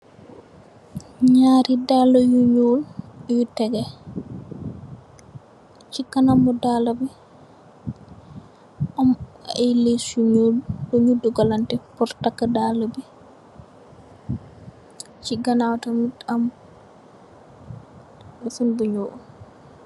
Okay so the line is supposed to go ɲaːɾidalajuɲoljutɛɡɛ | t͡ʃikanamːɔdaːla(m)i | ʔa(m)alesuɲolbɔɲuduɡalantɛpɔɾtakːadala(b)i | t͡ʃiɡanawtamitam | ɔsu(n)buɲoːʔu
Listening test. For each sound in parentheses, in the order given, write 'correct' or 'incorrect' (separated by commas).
incorrect, correct, correct, correct